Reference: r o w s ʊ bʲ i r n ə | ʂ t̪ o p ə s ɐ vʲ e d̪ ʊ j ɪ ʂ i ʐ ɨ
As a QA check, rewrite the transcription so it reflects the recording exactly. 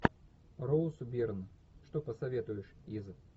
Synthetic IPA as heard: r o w s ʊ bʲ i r n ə | ʂ t̪ o p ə s ɐ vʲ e t̪ ʊ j ɪ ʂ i z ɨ